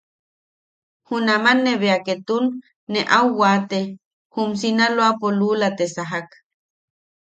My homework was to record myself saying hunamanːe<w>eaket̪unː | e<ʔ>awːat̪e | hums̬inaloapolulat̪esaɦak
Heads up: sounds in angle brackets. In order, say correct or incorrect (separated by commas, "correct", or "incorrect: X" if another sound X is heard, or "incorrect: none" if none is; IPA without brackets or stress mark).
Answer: incorrect: β, correct